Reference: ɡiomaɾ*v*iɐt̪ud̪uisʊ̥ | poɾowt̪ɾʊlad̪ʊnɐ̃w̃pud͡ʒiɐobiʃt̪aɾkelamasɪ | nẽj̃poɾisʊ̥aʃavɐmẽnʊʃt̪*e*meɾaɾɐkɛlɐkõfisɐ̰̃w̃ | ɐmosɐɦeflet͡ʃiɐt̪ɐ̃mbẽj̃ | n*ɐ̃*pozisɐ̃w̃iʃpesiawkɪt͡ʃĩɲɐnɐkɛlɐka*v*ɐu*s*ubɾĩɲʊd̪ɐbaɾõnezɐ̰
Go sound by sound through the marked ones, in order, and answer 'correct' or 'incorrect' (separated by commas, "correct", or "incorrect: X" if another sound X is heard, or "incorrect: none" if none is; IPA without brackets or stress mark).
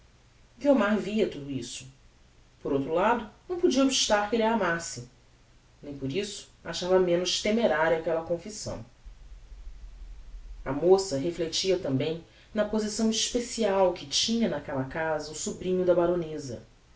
correct, correct, incorrect: ɐ, incorrect: z, correct